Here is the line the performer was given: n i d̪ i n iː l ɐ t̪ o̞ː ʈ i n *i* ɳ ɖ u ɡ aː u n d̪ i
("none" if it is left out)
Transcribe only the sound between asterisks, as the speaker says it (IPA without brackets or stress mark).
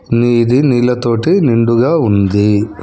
i